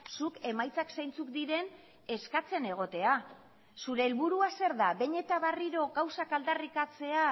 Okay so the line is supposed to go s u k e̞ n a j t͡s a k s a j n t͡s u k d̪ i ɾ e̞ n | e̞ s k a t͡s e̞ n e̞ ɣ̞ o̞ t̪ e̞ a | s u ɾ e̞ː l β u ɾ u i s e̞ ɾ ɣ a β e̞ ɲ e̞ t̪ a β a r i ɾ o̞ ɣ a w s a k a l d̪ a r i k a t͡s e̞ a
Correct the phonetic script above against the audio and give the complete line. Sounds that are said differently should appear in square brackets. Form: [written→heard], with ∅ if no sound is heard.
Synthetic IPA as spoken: s u k e̞ [n→m] a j t͡s a k s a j n t͡s u k d̪ i ɾ e̞ n | e̞ s k a t͡s e̞ n e̞ ɣ̞ o̞ t̪ e̞ a | s u ɾ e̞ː l β u ɾ u [i→a] s e̞ ɾ [ɣ→ð] a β e̞ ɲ e̞ t̪ a β a r i ɾ o̞ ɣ a w s a k a l d̪ a r i k a t͡s e̞ a

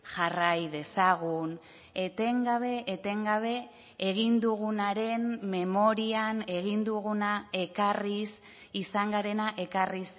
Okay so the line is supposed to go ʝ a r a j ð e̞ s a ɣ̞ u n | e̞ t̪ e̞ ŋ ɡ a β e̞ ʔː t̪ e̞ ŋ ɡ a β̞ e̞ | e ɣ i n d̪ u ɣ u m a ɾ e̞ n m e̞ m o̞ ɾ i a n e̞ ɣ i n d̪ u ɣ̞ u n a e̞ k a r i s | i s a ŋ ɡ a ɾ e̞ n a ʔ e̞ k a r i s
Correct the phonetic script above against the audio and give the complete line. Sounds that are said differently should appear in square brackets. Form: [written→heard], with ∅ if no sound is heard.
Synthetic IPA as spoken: ʝ a r a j ð e̞ s a ɣ̞ u n | e̞ t̪ e̞ ŋ ɡ a β e̞ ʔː t̪ e̞ ŋ ɡ a β̞ e̞ | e ɣ i n d̪ u ɣ u [m→n] a ɾ e̞ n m e̞ m o̞ ɾ i a n e̞ ɣ i n d̪ u ɣ̞ u n a e̞ k a r i s | i s a ŋ ɡ a ɾ e̞ n a ʔ e̞ k a r i s

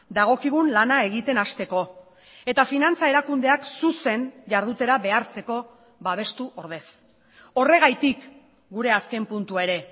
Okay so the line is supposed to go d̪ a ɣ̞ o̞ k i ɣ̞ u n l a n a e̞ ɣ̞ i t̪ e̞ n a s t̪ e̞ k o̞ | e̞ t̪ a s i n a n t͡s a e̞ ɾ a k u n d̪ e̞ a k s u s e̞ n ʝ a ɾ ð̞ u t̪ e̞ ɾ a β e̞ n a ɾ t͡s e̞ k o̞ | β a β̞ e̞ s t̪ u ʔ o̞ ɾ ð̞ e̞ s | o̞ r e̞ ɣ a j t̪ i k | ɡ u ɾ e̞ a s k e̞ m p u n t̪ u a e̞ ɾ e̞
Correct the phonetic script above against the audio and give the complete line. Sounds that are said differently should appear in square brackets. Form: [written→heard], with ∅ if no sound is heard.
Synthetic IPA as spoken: d̪ a ɣ̞ o̞ k i ɣ̞ u n l a n a e̞ ɣ̞ i t̪ e̞ n a s t̪ e̞ k o̞ | e̞ t̪ a [s→f] i n a n t͡s a e̞ ɾ a k u n d̪ e̞ a k s u s e̞ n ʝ a ɾ ð̞ u t̪ e̞ ɾ a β e̞ [n→∅] a ɾ t͡s e̞ k o̞ | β a β̞ e̞ s t̪ u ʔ o̞ ɾ ð̞ e̞ s | o̞ r e̞ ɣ a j t̪ i k | ɡ u ɾ e̞ a s k e̞ m p u n t̪ u a e̞ ɾ e̞

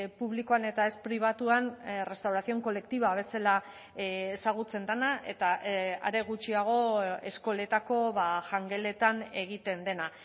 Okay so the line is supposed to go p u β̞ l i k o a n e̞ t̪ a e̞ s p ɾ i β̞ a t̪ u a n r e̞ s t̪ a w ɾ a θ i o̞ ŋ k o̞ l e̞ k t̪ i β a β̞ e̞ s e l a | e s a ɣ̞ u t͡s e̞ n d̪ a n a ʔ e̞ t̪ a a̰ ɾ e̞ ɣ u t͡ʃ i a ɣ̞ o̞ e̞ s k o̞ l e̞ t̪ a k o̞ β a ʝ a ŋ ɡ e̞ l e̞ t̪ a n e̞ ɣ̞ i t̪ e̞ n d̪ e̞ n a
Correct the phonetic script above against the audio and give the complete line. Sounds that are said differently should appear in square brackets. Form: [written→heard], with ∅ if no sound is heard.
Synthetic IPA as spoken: p u β̞ l i k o a n e̞ t̪ a e̞ s p ɾ i β̞ a t̪ u a n r e̞ s t̪ a w ɾ a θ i o̞ ŋ k o̞ l e̞ k t̪ i β a β̞ e̞ s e l a | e s a ɣ̞ u t͡s e̞ n d̪ a n a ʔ e̞ t̪ a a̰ ɾ e̞ ɣ u t͡ʃ i a ɣ̞ o̞ e̞ s k o̞ l e̞ t̪ a k o̞ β a ʝ a ŋ ɡ e̞ l e̞ t̪ a n e̞ ɣ̞ i t̪ e̞ n d̪ e̞ n a

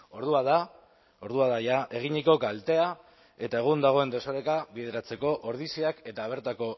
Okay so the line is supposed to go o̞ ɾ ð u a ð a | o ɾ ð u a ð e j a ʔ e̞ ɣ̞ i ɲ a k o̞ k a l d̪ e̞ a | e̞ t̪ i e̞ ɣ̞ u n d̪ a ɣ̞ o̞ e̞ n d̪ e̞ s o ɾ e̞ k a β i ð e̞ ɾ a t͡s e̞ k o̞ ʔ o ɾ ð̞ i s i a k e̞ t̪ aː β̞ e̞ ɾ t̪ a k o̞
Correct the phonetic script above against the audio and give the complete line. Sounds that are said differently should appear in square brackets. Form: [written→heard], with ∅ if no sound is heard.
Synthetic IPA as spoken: o̞ ɾ ð u a ð a | o ɾ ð u a ð [e→a] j a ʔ e̞ ɣ̞ i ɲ [a→i] k o̞ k a l [d̪→t̪] e̞ a | e̞ t̪ [i→a] e̞ ɣ̞ u n d̪ a ɣ̞ o̞ e̞ n d̪ e̞ s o ɾ e̞ k a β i ð e̞ ɾ a t͡s e̞ k o̞ ʔ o ɾ ð̞ i s i a k e̞ t̪ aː β̞ e̞ ɾ t̪ a k o̞

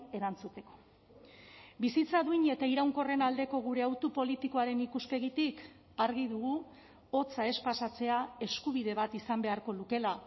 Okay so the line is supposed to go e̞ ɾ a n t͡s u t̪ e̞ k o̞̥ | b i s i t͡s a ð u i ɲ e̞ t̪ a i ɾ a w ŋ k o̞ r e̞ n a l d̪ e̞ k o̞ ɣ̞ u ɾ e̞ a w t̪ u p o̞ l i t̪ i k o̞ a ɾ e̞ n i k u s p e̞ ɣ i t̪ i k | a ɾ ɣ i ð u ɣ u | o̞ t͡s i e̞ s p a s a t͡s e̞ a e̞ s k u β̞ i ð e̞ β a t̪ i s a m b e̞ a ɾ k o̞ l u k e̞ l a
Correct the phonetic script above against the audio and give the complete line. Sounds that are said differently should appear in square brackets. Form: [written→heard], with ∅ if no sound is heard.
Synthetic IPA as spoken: e̞ ɾ a n t͡s u t̪ e̞ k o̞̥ | b i s i t͡s a ð u i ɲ e̞ t̪ a i ɾ a w ŋ k o̞ r e̞ n a l d̪ e̞ k o̞ ɣ̞ u ɾ e̞ a w t̪ u p o̞ l i t̪ i k o̞ a ɾ e̞ n i k u s p e̞ ɣ i t̪ i k | a ɾ ɣ i ð u ɣ u | o̞ t͡s [i→a] e̞ s p a s a t͡s e̞ a e̞ s k u β̞ i ð e̞ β a t̪ i s a m b e̞ a ɾ k o̞ l u k e̞ l a

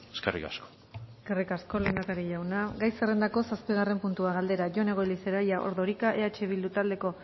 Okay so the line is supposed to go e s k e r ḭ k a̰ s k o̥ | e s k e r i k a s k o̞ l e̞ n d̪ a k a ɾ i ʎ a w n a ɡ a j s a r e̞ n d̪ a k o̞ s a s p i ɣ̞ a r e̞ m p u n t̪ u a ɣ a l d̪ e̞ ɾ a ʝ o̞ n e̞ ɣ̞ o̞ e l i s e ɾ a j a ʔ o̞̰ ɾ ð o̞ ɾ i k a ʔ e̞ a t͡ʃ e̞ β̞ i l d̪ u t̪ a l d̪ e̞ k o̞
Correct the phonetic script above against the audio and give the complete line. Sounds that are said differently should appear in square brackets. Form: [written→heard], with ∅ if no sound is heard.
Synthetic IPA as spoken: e s k e r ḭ k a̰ s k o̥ | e s k e r i k a s k o̞ l e̞ n d̪ a k a ɾ i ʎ a w n a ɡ a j s [a→e] r e̞ n d̪ a k o̞ s a s p i ɣ̞ a r e̞ m p u n t̪ u a ɣ a l d̪ e̞ ɾ a ʝ o̞ n e̞ ɣ̞ o̞ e l i s e ɾ a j a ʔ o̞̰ ɾ ð o̞ ɾ i k a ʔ e̞ a t͡ʃ e̞ β̞ i l d̪ u t̪ a l d̪ e̞ k o̞

